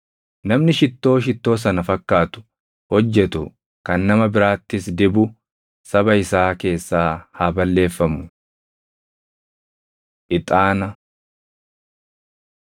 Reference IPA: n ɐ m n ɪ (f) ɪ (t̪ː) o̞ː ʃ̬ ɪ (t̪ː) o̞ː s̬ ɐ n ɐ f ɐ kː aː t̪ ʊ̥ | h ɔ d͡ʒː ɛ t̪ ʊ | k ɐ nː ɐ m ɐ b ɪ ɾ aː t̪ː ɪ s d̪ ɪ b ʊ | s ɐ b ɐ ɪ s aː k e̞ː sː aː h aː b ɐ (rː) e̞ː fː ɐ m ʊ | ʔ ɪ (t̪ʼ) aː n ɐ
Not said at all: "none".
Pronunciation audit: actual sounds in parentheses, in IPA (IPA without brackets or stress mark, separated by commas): ʃ, t̪ː, t̪ː, lː, t̪ʼ